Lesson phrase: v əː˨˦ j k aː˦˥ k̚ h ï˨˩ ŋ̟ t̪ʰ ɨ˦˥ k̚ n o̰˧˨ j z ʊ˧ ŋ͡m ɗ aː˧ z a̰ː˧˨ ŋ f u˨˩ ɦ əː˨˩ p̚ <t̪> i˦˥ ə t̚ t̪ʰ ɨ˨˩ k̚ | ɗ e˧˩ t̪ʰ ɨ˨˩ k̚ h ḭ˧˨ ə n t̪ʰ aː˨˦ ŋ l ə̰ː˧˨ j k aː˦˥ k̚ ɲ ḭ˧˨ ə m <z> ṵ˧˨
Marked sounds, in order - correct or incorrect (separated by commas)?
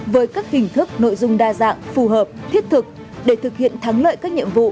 incorrect, incorrect